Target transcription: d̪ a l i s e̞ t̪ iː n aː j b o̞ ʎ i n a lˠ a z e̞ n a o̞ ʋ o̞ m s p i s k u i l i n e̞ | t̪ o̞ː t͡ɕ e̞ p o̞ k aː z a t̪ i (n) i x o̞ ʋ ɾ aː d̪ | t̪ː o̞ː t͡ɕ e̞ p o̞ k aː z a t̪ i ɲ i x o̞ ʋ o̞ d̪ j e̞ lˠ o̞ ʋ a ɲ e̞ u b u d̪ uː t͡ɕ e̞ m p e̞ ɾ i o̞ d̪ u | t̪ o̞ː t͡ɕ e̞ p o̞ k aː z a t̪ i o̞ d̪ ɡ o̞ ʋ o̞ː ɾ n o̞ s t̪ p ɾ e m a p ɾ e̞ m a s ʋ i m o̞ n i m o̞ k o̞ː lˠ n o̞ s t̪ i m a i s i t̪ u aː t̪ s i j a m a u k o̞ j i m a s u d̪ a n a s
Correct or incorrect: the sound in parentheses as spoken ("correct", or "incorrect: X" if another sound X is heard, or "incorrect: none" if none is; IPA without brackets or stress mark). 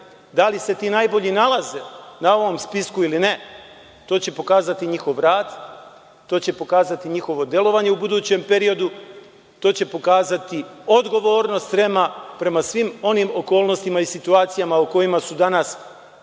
incorrect: ɲ